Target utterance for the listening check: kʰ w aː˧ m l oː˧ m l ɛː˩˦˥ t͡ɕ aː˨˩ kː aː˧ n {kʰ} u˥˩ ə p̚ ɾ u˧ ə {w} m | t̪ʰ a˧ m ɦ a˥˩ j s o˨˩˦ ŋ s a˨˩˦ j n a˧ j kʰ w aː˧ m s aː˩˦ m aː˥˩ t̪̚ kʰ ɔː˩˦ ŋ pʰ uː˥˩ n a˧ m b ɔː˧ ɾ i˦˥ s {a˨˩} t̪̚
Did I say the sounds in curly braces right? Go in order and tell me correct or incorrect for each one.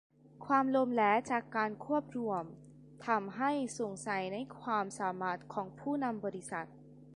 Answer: correct, incorrect: none, correct

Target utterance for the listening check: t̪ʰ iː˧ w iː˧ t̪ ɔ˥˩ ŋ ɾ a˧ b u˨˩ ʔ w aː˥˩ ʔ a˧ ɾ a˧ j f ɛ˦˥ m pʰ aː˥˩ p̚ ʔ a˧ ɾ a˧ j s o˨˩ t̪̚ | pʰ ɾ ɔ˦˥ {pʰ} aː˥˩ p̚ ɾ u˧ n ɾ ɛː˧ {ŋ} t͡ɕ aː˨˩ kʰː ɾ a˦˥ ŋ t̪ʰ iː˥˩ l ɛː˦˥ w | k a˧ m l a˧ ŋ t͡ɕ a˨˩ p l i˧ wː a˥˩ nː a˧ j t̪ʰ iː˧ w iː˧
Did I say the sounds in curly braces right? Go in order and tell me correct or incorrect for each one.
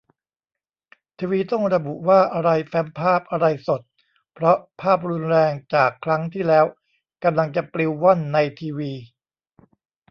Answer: correct, correct

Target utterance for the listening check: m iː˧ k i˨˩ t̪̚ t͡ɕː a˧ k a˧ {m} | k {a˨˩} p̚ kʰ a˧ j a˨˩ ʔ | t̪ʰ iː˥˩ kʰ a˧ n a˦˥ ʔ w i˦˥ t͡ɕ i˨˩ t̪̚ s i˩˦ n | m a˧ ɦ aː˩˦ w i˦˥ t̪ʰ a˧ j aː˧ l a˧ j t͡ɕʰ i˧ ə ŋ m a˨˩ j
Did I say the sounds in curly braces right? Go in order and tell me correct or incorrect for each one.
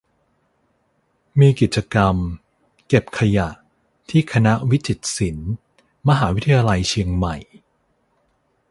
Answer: correct, incorrect: e˨˩

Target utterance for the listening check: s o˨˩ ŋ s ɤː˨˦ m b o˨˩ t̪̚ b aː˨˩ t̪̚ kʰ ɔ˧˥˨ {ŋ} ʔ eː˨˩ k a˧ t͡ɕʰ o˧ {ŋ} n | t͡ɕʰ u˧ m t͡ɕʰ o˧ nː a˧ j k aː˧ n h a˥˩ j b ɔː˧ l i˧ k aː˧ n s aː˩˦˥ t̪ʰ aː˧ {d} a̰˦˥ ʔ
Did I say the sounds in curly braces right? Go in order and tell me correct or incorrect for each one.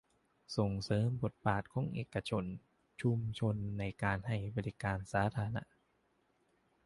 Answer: correct, incorrect: none, incorrect: n

